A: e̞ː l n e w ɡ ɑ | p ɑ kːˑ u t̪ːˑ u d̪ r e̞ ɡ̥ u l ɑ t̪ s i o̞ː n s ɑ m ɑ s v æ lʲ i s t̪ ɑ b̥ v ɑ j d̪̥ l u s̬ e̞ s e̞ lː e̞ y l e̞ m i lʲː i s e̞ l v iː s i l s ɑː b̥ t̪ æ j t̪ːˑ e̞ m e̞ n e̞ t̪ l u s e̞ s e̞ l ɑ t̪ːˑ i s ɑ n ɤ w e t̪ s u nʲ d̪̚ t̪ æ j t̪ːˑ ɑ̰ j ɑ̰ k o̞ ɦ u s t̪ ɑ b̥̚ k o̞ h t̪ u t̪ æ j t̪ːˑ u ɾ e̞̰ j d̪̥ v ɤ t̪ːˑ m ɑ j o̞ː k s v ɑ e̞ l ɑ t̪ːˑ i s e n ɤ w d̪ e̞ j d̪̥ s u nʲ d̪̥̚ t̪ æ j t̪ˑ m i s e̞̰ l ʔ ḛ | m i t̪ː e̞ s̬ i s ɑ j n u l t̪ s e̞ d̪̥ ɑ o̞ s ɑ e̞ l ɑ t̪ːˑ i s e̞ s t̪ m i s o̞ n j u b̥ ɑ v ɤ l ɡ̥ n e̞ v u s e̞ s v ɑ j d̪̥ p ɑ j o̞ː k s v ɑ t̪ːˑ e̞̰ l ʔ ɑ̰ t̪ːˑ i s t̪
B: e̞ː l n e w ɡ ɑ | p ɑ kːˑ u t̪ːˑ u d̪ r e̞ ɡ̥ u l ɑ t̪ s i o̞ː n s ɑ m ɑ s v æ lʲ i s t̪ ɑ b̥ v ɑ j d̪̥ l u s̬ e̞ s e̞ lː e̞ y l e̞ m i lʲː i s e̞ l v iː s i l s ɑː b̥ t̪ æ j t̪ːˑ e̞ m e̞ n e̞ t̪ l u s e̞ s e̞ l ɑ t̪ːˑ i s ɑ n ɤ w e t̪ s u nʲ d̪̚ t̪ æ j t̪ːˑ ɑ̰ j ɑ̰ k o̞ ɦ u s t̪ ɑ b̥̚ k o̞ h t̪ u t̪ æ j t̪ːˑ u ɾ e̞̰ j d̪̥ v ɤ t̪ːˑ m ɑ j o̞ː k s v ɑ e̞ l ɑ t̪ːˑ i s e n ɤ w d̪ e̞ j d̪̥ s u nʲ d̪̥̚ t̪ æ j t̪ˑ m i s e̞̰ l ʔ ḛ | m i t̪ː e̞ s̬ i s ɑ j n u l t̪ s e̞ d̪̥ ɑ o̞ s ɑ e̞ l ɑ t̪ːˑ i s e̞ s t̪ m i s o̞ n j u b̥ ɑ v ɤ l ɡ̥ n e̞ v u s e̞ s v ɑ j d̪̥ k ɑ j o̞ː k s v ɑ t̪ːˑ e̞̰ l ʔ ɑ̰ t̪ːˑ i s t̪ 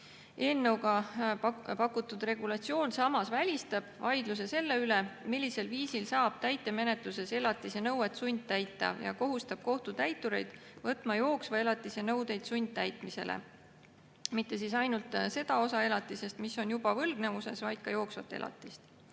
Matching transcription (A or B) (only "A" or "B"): B